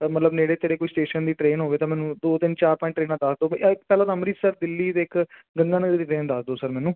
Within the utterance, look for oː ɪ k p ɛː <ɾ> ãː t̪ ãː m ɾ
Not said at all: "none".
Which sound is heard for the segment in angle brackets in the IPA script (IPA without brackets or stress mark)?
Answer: l